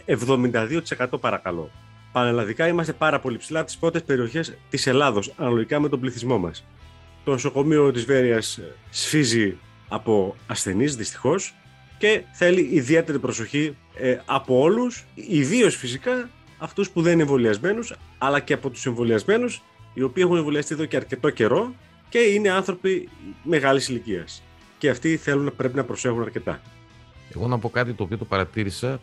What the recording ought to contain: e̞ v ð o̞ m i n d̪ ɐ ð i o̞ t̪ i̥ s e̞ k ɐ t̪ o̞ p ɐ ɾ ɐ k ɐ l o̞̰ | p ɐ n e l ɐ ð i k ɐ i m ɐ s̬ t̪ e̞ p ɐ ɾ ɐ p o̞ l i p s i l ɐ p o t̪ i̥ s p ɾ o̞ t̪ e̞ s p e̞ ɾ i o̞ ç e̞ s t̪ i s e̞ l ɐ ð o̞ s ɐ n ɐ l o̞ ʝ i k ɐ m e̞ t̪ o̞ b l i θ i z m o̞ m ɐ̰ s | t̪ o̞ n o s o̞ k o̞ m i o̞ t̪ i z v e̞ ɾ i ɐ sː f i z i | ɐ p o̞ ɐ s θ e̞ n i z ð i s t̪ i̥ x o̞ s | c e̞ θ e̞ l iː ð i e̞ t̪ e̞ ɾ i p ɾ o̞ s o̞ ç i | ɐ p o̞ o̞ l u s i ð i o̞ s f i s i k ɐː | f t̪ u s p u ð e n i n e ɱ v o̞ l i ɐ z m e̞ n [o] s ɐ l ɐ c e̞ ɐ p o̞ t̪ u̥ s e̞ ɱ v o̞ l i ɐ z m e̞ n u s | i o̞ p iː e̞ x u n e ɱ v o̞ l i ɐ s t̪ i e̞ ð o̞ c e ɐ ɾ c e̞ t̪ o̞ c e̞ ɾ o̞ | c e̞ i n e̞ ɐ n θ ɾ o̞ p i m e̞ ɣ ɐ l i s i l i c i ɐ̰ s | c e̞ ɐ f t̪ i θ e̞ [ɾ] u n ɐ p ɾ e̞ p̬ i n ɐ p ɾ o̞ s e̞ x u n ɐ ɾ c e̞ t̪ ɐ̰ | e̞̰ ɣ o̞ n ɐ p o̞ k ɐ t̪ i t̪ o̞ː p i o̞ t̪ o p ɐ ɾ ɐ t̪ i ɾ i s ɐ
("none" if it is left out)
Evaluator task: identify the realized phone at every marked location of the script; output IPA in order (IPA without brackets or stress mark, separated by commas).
u, l